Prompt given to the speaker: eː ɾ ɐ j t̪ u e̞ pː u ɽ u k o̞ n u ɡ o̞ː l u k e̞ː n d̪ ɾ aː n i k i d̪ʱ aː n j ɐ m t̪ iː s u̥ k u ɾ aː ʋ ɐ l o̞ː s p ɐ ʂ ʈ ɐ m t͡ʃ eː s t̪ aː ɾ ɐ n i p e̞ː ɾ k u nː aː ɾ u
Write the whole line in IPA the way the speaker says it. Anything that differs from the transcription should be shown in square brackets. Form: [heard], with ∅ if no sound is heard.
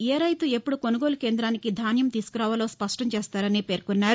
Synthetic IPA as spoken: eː ɾ ɐ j t̪ u e̞ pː u ɽ u k o̞ n u ɡ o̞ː l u k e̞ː n d̪ ɾ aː n i k i d̪ʱ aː n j ɐ m t̪ iː s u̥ k u ɾ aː ʋ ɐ l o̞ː s p ɐ ʂ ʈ ɐ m t͡ʃ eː s t̪ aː ɾ ɐ n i p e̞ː ɾ k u nː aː ɾ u